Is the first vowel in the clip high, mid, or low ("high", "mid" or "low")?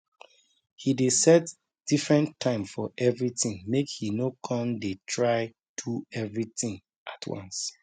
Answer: high